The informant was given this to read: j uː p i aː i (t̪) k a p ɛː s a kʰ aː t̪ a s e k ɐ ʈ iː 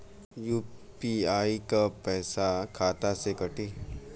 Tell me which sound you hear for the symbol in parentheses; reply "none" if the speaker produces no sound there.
none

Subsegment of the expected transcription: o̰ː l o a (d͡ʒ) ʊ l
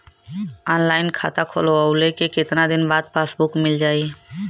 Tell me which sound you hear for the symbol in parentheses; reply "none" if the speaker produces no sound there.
none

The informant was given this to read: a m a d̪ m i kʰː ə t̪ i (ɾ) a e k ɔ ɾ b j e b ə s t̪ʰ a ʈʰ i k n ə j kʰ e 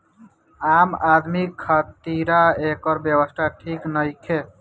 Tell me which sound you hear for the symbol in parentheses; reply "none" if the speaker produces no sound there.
ɾ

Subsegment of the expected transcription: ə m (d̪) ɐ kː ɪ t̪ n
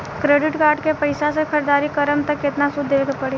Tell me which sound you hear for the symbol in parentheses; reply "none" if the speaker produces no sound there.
t̪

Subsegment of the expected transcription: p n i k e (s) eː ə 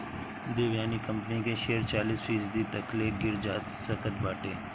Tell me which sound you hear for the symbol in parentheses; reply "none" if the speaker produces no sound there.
ʃ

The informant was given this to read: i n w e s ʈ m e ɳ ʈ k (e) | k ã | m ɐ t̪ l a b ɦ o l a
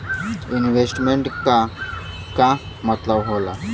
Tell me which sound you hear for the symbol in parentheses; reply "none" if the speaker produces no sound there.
a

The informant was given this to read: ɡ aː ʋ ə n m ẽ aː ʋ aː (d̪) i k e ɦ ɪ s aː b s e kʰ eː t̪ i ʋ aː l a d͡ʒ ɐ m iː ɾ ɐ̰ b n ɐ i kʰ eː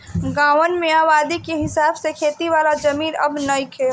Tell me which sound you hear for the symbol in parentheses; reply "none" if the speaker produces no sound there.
d̪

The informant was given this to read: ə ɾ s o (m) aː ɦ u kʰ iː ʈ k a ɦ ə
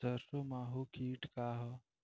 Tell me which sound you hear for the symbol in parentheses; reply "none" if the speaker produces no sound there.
m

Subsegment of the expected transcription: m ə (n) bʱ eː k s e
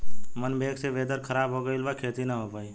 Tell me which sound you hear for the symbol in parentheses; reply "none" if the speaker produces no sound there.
n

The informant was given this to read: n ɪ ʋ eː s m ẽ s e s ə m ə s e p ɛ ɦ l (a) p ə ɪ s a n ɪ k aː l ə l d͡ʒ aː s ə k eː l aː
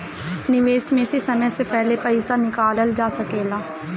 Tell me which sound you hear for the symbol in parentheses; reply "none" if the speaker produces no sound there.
e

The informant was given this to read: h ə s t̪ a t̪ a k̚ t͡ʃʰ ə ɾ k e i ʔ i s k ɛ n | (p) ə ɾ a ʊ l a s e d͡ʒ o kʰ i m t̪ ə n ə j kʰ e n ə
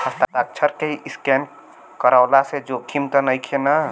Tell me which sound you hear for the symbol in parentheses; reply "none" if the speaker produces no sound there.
k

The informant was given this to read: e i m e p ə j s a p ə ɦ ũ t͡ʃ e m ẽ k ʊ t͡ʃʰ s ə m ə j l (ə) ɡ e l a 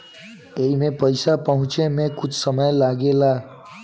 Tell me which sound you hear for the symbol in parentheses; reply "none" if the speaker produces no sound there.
a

